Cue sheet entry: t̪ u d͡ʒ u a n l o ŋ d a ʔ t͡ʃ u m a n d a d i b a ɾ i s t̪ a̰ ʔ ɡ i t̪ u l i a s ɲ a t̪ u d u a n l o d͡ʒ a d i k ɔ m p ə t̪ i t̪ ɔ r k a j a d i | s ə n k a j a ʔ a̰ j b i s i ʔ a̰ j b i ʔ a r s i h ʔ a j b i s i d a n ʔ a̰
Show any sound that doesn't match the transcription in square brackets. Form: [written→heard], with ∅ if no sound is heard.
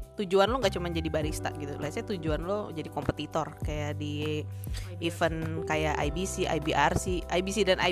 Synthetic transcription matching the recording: t̪ u d͡ʒ u a n l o ŋ [d→ɡ] a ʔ t͡ʃ u m a n [d→d͡ʒ] a d i b a ɾ i s t̪ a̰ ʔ ɡ i t̪ u l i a s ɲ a t̪ u [d→d͡ʒ] u a n l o d͡ʒ a d i k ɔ m p ə t̪ i t̪ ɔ r k a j a d i | [s→f] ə n k a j a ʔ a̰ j b i s i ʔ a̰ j b i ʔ a r s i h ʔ a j b i s i d a n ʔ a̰